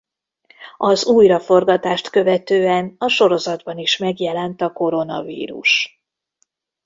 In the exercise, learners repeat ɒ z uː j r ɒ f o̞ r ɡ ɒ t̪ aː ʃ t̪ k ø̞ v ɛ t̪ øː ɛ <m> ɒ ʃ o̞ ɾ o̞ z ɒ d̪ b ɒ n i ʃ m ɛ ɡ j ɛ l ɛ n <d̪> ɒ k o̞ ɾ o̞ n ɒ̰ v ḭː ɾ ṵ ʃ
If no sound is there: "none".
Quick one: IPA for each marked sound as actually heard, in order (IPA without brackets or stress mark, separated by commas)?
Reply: n, t̪